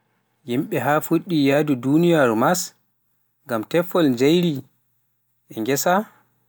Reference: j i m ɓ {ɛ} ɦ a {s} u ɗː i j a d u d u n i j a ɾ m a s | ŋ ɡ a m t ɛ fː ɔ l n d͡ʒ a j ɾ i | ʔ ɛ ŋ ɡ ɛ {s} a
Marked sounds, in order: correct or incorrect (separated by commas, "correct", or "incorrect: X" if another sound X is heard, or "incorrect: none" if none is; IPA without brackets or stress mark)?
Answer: correct, incorrect: f, correct